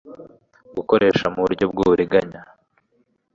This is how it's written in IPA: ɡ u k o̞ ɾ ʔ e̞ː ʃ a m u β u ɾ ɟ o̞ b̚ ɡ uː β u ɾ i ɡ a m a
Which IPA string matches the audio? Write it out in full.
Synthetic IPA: ɡ u k o̞ ɾ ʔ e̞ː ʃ a m u β u ɾ ɟ o̞ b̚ ɡ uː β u ɾ i ɡ a ɲ a